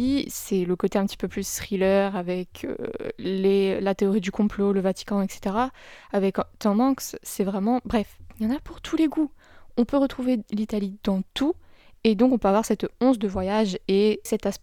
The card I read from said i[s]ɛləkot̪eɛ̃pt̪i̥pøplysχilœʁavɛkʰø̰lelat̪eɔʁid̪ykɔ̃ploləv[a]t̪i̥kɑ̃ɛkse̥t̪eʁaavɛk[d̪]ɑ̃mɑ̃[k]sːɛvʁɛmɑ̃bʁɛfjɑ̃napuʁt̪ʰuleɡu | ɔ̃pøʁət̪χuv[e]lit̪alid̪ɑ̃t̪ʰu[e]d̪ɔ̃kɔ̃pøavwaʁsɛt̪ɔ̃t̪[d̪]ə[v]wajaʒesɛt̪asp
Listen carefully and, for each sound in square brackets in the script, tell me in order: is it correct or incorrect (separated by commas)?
correct, correct, incorrect, correct, correct, correct, correct, correct